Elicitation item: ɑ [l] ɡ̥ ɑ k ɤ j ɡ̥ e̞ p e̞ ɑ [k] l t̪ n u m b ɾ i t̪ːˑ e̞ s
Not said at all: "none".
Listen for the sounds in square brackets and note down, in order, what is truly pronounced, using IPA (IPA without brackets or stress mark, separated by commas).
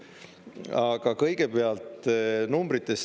none, none